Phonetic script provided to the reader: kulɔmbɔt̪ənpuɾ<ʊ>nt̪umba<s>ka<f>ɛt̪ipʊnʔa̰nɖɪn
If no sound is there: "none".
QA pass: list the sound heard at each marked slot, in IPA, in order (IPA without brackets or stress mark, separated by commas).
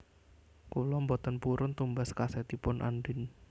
ʊ, s, s